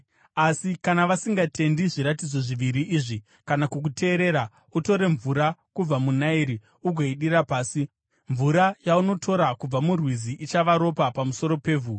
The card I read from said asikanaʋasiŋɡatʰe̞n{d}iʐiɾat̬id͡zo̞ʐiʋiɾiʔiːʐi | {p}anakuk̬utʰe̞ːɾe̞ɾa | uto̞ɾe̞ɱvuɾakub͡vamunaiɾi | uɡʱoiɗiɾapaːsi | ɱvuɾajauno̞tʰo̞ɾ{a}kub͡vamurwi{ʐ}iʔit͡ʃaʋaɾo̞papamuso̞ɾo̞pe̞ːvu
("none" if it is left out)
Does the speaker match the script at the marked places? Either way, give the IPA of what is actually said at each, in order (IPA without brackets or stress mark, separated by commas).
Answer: d, k, a, z